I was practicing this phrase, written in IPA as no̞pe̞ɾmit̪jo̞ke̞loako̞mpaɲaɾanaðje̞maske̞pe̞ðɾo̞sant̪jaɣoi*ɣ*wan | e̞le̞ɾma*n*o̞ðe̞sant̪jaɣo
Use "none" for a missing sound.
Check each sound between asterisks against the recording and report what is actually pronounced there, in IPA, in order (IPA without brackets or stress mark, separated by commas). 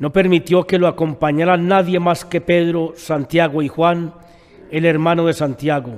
x, n